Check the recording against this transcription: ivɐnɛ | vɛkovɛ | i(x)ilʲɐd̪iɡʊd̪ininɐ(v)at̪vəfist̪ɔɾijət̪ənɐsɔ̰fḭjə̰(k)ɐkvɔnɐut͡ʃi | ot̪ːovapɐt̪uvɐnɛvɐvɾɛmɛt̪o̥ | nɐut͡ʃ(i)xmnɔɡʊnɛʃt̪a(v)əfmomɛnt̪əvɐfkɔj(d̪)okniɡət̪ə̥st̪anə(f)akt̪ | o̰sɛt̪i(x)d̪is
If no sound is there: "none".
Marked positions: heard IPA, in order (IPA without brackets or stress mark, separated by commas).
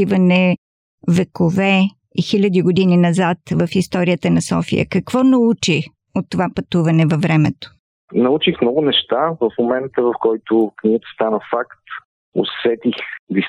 x, z, k, i, v, t̪, f, x